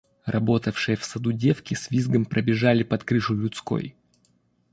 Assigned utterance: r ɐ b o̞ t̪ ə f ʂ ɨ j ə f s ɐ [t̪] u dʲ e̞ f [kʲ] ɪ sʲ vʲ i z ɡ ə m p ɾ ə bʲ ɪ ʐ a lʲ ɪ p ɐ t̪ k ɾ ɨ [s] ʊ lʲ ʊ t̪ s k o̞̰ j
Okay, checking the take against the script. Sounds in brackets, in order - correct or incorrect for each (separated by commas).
incorrect, correct, incorrect